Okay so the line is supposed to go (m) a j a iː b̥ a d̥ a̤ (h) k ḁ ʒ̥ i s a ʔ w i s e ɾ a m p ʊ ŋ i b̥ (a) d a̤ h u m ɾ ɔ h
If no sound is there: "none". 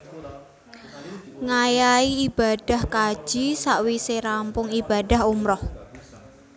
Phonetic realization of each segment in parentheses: ŋ, h, a

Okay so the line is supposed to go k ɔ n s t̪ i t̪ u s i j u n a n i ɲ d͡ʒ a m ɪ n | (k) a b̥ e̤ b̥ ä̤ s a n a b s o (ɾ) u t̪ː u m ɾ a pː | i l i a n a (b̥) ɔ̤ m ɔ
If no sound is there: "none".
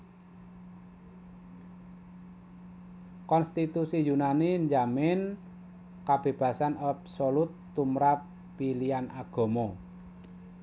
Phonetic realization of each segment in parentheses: k, l, ɡ̥

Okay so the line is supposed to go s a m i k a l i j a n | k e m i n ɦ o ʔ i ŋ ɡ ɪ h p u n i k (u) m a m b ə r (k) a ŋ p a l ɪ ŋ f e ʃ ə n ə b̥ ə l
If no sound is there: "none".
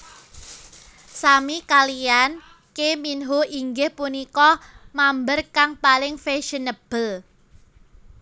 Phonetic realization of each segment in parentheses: ɔ, k

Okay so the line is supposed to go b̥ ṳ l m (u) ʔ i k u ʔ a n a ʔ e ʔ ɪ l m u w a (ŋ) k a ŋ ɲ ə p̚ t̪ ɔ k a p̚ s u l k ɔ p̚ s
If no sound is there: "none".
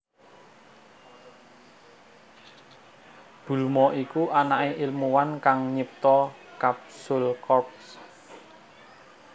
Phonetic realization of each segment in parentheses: ɔ, n

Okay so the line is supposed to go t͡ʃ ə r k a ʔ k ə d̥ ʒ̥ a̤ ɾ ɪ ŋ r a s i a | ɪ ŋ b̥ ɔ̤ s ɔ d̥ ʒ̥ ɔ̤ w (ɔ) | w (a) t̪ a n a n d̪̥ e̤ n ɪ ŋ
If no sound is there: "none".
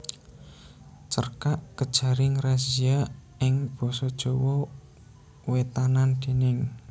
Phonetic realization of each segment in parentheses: ɔ, e

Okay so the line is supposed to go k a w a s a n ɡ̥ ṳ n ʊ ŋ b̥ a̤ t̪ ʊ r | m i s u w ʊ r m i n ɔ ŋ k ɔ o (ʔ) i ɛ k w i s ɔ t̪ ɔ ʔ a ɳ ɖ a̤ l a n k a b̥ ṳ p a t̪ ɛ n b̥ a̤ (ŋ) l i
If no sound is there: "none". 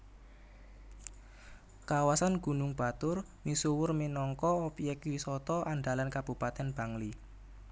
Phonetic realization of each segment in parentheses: p, ŋ

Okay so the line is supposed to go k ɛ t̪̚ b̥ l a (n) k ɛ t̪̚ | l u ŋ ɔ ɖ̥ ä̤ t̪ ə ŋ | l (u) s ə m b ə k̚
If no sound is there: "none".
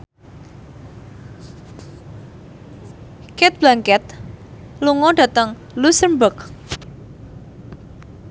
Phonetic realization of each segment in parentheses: ŋ, u

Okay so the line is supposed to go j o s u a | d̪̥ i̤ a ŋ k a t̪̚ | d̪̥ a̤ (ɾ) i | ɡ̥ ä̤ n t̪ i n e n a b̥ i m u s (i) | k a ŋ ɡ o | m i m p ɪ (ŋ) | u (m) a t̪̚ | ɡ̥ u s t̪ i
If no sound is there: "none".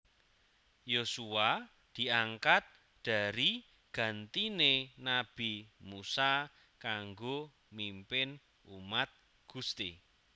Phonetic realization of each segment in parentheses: ɾ, a, n, m

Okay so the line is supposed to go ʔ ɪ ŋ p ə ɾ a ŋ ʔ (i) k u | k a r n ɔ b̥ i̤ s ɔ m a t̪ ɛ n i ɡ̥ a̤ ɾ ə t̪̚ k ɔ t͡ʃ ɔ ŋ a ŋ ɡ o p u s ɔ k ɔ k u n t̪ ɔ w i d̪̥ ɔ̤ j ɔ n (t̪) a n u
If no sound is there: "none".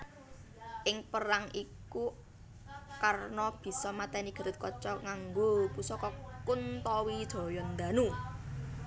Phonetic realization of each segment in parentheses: i, d̪

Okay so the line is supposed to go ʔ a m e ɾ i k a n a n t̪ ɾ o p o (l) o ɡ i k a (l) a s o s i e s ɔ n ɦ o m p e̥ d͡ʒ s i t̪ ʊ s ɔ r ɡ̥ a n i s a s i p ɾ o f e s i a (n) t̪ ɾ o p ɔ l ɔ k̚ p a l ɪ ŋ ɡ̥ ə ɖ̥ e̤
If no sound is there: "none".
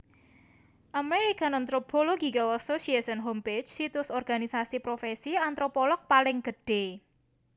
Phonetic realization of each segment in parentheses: l, l, n

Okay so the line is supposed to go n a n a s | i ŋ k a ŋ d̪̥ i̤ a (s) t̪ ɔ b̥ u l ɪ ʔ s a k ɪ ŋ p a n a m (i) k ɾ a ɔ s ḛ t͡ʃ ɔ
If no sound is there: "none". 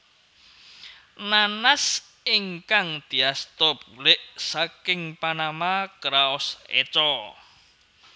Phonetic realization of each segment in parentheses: s, a

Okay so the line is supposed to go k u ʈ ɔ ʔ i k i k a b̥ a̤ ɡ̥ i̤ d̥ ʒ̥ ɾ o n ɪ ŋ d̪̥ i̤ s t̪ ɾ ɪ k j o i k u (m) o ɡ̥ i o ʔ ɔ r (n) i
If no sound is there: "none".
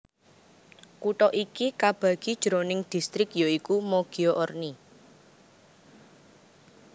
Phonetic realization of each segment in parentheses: m, n

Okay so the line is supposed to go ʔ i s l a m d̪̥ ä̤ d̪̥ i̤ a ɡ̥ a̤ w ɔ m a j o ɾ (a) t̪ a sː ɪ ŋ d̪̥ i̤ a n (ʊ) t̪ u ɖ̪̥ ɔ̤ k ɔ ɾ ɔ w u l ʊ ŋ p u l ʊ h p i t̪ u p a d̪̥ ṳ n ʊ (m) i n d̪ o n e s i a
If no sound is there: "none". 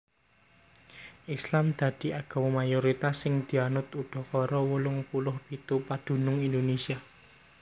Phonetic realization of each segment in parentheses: i, ʊ, ŋ

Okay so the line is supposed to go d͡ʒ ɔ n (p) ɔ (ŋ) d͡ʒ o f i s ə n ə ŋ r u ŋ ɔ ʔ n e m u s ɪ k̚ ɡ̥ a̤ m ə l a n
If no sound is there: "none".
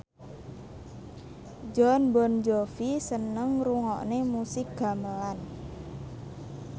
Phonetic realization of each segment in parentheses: b, n

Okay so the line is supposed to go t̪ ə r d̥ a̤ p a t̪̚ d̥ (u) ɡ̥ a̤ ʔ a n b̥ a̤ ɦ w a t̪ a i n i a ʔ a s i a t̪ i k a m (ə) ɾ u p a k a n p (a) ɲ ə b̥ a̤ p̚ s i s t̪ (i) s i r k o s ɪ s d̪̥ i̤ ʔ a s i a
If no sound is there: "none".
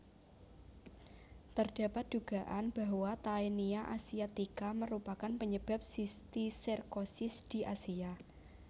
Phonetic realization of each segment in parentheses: u, ə, ə, i

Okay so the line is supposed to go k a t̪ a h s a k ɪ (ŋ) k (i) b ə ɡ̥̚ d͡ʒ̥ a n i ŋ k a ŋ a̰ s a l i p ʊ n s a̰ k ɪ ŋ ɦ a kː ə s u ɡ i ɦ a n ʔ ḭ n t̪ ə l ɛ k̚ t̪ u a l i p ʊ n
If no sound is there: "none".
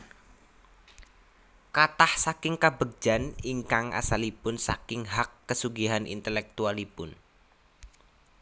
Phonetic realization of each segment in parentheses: ŋ, a

